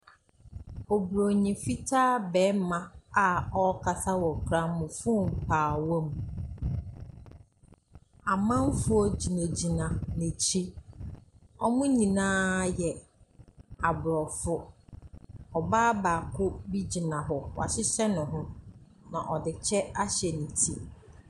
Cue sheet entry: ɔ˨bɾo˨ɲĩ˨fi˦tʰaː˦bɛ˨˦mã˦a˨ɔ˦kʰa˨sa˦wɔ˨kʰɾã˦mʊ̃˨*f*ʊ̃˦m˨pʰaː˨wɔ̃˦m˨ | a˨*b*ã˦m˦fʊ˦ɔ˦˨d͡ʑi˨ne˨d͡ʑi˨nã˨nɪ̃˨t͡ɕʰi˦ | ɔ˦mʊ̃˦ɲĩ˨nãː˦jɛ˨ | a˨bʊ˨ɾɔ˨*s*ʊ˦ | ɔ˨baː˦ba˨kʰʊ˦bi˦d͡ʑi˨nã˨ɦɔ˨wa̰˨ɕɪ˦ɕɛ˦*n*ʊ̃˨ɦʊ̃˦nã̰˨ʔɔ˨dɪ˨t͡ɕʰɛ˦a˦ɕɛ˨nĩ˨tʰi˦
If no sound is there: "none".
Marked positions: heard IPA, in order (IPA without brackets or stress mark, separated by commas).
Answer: f, m, f, n